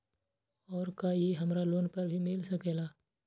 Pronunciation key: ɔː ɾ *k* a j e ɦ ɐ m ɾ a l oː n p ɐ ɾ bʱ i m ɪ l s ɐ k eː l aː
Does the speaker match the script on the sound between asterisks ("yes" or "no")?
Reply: yes